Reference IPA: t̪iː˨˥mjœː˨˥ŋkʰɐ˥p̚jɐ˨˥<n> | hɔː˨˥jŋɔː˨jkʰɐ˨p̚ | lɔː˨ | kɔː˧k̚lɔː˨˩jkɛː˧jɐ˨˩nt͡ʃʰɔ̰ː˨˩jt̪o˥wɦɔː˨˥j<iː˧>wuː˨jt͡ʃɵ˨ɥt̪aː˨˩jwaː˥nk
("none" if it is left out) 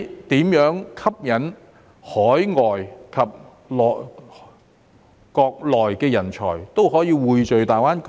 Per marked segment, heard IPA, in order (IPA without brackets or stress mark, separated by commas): n, iː˧